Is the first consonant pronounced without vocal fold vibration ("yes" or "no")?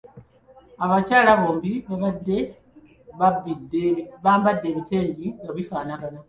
no